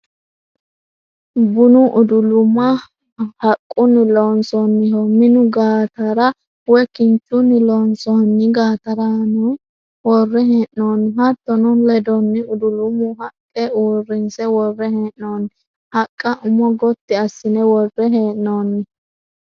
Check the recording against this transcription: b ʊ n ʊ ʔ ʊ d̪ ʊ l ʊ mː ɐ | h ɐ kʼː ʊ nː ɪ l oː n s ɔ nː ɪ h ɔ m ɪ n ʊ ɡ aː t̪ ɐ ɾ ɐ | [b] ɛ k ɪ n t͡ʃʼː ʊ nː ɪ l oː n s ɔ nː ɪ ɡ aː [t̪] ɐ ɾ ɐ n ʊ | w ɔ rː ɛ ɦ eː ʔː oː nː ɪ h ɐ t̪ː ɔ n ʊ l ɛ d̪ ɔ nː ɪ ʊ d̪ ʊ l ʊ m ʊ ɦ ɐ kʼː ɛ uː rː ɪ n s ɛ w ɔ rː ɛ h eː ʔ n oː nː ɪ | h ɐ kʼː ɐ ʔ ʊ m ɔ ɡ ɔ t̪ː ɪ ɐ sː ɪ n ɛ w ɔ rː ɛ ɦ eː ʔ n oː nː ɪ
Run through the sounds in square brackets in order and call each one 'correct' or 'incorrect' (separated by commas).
incorrect, correct